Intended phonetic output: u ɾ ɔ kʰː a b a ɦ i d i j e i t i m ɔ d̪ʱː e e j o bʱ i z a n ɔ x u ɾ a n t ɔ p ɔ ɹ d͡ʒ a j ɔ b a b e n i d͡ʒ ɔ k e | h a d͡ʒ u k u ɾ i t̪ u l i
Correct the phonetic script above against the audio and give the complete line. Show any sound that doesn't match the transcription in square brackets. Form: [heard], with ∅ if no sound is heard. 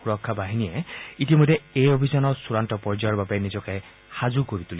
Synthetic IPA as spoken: u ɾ ɔ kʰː a b a ɦ i [n] i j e i t i m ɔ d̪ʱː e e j o bʱ i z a n ɔ [s] u ɾ a n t ɔ p ɔ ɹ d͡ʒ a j ɔ b a b e n i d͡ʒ ɔ k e | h a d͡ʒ u k [o] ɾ i t̪ u l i